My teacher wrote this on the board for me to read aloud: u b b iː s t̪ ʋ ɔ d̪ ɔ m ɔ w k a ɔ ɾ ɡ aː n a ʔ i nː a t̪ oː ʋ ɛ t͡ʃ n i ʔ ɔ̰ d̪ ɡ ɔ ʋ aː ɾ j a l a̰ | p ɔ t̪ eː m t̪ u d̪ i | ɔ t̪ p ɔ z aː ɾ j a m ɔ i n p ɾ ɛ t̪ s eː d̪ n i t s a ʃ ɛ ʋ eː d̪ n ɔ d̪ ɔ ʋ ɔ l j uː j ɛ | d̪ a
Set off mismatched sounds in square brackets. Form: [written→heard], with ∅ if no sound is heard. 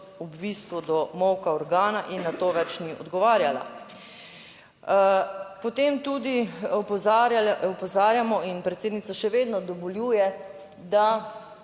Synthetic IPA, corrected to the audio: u b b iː s t̪ ʋ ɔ d̪ ɔ m ɔ w k a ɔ ɾ ɡ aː n a ʔ i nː a t̪ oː ʋ ɛ t͡ʃ n i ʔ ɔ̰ d̪ ɡ ɔ ʋ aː ɾ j a l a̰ | p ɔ t̪ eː m t̪ u d̪ i | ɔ [t̪→∅] p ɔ z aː ɾ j a m ɔ i n p ɾ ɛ t̪ s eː d̪ n i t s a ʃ ɛ ʋ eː d̪ n ɔ d̪ ɔ ʋ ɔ l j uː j ɛ | d̪ a